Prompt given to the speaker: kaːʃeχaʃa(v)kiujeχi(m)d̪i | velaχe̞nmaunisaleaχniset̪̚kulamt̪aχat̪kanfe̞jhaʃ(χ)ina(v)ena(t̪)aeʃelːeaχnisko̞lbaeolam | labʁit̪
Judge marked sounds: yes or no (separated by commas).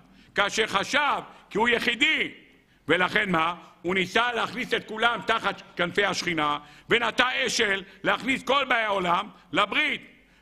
yes, no, yes, yes, yes